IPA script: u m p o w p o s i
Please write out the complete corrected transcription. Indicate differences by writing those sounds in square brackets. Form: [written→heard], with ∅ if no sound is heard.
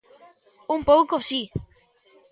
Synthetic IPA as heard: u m p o w [p→k] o s i